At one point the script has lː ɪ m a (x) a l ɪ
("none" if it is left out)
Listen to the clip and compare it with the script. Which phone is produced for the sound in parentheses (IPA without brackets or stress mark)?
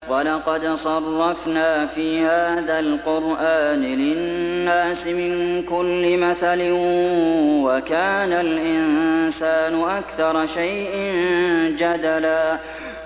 θ